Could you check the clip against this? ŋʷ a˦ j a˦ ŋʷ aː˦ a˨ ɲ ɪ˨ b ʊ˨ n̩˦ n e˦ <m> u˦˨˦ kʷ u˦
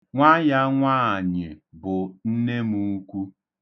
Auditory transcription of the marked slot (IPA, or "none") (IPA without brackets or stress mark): m